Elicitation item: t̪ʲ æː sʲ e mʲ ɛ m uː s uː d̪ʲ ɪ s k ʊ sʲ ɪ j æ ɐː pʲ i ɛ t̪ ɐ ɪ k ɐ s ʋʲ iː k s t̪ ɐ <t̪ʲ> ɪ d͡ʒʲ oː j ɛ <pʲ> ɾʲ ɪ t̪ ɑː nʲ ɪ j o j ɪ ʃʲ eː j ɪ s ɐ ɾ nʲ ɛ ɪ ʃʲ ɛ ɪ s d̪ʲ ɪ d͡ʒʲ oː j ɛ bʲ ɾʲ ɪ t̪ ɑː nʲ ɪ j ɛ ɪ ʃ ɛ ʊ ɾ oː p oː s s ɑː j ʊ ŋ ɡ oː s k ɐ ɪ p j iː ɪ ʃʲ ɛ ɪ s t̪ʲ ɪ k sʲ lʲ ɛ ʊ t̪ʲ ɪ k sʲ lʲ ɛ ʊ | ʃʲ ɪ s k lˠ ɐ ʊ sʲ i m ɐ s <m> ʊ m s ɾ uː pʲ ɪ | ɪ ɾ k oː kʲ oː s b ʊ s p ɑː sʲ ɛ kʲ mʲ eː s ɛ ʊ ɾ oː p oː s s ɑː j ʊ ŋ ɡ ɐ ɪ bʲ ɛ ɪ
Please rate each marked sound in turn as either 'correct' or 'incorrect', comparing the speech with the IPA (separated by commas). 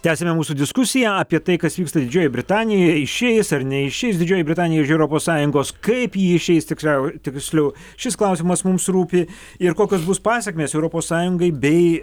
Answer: incorrect, incorrect, correct